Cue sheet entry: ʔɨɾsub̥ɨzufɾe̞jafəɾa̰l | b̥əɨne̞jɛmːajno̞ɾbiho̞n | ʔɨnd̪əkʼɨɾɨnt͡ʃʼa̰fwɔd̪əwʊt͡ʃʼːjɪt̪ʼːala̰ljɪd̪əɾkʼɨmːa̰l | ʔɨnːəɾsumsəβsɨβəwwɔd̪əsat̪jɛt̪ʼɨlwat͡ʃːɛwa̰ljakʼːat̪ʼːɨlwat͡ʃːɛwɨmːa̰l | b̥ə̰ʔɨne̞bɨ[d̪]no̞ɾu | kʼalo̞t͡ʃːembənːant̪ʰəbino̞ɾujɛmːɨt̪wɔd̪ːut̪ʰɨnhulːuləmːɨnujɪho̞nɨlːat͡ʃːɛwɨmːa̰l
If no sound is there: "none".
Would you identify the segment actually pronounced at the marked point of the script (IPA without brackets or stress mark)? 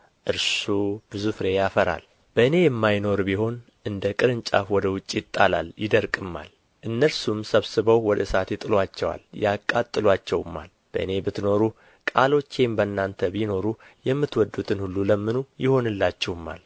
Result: t̪